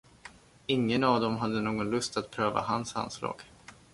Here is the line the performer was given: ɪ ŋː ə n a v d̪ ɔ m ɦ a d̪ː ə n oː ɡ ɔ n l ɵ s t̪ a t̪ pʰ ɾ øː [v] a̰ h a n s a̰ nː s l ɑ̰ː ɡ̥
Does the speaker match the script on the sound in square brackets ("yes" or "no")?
yes